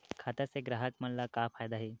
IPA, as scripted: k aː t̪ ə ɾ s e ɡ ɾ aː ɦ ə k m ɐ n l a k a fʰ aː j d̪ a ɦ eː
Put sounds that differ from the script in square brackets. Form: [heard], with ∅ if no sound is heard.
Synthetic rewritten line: [kʰ] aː t̪ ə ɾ s e ɡ ɾ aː ɦ ə k m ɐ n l a k a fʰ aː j d̪ a ɦ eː